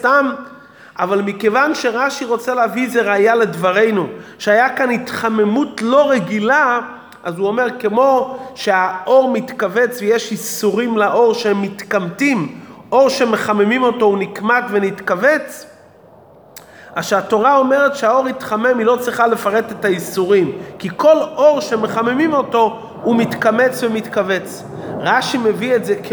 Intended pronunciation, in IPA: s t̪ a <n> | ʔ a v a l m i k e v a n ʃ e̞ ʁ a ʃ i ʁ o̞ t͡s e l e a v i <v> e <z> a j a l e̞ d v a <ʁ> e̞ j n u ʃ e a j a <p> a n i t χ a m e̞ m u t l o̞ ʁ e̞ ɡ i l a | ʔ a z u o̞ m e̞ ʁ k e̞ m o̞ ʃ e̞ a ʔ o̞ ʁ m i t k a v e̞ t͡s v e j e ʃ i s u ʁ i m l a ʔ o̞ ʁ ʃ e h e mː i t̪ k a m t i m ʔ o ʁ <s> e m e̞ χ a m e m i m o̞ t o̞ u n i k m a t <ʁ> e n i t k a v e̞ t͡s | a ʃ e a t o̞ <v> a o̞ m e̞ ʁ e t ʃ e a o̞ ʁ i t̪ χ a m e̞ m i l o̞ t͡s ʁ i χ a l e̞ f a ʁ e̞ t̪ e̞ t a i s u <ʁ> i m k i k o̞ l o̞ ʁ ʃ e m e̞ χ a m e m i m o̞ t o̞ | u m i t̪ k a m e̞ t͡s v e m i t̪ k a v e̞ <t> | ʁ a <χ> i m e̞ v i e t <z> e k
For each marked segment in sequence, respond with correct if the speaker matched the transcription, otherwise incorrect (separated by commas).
incorrect, incorrect, incorrect, correct, incorrect, incorrect, incorrect, incorrect, correct, incorrect, incorrect, correct